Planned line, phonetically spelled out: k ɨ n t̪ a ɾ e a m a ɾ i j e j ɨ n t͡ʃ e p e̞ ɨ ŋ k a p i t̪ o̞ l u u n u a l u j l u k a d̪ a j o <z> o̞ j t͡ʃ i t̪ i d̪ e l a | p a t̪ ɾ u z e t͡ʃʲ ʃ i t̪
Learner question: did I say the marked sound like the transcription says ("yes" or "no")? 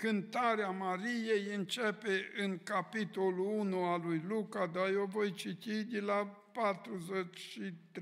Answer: no